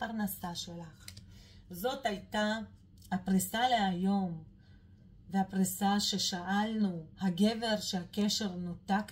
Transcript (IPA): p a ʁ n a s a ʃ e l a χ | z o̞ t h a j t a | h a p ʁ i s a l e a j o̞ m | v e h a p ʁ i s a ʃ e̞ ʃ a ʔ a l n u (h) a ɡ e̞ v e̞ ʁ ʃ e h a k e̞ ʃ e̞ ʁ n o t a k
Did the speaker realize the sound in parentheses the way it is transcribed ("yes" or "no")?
yes